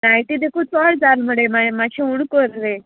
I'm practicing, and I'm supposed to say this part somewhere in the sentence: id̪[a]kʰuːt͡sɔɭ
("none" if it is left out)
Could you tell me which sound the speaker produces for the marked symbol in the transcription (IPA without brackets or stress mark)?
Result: e